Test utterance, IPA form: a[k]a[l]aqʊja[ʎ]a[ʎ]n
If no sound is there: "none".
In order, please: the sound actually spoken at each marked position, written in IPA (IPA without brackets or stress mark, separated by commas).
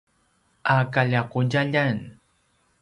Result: k, ʎ, ʎ, none